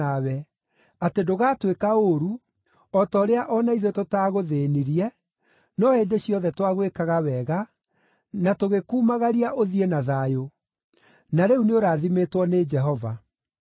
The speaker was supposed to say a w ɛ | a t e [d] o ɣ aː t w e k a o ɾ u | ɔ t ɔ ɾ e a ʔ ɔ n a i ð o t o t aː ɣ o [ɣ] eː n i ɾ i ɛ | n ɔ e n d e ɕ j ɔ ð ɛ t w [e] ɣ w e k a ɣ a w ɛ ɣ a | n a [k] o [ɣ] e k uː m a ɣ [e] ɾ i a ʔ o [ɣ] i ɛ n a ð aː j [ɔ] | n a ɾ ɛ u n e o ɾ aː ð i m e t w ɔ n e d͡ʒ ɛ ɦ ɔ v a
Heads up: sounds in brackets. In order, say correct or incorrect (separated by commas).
correct, incorrect, incorrect, incorrect, correct, incorrect, incorrect, incorrect